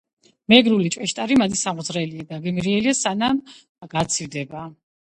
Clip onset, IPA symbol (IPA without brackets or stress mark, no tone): m